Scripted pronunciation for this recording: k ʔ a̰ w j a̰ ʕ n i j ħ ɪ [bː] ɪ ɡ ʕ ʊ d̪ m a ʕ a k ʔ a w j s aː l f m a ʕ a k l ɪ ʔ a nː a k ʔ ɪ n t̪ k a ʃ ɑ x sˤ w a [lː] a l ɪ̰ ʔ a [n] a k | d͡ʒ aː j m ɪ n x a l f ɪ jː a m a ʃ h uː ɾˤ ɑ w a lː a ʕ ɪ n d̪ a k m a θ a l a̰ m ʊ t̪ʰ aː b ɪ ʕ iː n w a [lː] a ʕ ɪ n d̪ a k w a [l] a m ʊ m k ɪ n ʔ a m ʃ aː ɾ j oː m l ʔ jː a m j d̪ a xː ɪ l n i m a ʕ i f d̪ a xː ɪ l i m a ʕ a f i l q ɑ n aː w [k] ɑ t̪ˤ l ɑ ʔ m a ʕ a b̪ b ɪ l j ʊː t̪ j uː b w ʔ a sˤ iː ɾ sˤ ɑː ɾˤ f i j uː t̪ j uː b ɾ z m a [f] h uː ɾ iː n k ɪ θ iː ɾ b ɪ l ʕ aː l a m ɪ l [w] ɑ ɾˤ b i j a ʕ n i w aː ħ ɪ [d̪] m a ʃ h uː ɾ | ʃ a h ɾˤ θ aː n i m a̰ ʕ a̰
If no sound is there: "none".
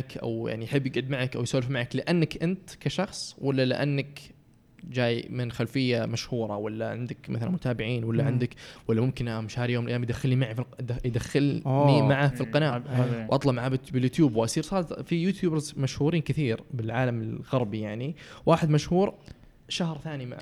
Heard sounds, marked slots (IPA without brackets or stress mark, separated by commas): bː, lː, nː, lː, lː, ʔ, ʃ, ɣ, d̪